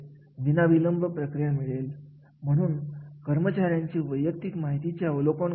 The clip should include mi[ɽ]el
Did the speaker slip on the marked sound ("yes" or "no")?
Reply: yes